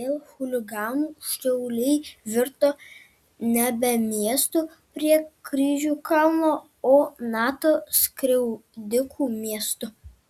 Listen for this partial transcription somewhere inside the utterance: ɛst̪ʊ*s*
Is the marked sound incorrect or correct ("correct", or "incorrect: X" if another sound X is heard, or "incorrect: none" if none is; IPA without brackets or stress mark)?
incorrect: none